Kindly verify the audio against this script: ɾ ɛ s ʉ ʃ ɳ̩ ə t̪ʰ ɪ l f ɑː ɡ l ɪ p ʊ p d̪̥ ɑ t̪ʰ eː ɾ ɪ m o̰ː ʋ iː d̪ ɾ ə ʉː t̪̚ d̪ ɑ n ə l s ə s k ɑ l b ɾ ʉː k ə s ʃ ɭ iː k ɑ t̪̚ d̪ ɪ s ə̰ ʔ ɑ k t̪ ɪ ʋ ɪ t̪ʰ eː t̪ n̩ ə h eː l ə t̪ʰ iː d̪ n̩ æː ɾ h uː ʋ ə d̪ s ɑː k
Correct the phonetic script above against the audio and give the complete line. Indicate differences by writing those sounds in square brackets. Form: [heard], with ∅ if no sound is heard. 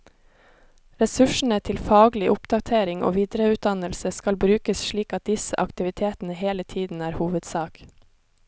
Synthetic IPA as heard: ɾ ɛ s ʉ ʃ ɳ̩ ə t̪ʰ ɪ l f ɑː ɡ l ɪ [ʔ] ʊ p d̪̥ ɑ t̪ʰ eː ɾ ɪ [ŋ] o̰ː ʋ iː d̪ ɾ ə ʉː t̪̚ d̪ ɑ n ə l s ə s k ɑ l b ɾ ʉː k ə s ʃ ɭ iː k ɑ t̪̚ d̪ ɪ s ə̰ ʔ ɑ k t̪ ɪ ʋ ɪ t̪ʰ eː t̪ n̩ ə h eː l ə t̪ʰ iː d̪ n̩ æː ɾ h uː ʋ ə d̪ s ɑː k